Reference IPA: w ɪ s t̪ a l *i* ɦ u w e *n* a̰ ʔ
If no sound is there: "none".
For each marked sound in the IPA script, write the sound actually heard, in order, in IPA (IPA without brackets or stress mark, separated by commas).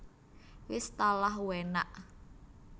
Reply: a, n